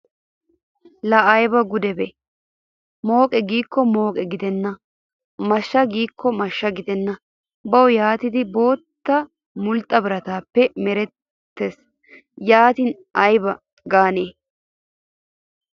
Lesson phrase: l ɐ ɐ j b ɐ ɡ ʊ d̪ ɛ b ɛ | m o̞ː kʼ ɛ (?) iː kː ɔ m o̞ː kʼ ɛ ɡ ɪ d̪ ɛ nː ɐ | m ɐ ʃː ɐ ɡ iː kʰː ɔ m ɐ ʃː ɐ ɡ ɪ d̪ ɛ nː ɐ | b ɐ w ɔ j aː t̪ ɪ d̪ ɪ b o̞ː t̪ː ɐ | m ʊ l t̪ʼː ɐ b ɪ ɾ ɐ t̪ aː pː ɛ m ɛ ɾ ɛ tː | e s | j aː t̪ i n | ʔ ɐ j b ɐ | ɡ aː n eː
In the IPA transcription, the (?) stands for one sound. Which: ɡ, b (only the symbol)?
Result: ɡ